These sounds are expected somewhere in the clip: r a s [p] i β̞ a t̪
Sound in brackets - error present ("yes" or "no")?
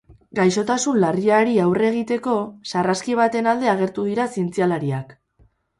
yes